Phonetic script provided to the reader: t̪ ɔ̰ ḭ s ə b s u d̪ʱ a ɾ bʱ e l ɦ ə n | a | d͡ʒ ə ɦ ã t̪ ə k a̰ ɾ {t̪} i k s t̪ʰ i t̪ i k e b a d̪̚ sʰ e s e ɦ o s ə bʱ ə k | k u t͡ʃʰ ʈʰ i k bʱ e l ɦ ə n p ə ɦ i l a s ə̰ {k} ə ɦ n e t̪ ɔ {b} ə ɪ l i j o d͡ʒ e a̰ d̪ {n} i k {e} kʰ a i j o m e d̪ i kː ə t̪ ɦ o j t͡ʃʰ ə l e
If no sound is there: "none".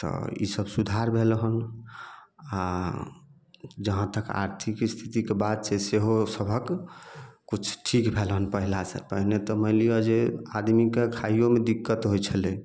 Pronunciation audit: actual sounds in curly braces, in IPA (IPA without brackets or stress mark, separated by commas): t̪ʰ, p, m, m, e